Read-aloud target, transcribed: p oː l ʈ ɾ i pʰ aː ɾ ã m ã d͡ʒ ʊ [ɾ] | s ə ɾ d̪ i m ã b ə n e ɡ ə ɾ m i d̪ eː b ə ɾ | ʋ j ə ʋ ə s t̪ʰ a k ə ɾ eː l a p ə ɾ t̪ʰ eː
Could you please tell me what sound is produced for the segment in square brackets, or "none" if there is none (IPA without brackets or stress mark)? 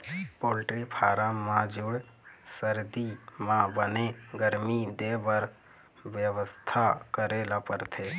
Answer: ɽ